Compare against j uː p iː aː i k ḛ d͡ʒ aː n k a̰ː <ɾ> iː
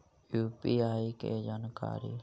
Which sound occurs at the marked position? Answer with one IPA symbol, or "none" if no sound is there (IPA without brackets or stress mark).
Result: ɾ